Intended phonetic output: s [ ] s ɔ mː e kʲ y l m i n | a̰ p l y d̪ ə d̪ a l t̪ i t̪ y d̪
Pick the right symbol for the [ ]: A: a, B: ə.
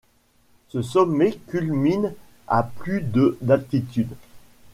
B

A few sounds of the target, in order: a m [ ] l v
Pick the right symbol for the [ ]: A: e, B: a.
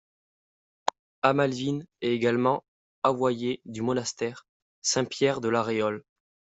B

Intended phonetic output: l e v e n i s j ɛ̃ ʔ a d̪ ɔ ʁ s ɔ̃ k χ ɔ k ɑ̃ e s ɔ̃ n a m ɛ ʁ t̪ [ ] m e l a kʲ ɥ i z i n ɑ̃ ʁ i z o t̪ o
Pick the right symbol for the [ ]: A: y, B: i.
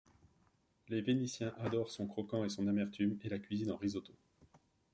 A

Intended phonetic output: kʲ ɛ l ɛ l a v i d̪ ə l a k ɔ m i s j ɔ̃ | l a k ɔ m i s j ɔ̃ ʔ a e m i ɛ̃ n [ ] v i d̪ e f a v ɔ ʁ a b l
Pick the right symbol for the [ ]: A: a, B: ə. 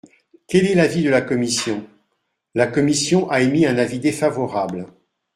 A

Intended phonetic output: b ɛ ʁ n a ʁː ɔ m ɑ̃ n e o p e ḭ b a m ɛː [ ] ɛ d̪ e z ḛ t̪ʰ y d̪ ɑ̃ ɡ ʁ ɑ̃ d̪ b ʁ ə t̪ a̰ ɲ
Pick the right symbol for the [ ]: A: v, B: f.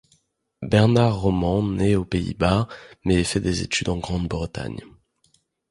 B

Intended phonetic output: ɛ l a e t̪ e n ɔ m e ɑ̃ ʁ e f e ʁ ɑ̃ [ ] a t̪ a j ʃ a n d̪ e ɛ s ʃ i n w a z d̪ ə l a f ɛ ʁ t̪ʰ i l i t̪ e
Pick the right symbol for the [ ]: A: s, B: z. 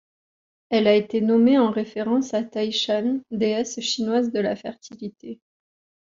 A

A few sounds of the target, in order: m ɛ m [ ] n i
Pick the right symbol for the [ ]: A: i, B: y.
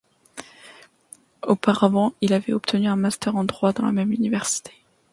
B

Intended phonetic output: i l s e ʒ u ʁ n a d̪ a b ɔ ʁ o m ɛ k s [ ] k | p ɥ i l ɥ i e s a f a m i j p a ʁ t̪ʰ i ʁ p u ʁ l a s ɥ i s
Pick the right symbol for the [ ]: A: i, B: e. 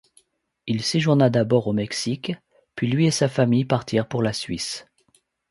A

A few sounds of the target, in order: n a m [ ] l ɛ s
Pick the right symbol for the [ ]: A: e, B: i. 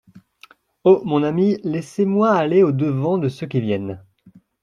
B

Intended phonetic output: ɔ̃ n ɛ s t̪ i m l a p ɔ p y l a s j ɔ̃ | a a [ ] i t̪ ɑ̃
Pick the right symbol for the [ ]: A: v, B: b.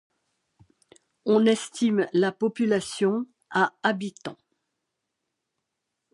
B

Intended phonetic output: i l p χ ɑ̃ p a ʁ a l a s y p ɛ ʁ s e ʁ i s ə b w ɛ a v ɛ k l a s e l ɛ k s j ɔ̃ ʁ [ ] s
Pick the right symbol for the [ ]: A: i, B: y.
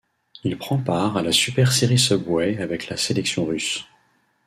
B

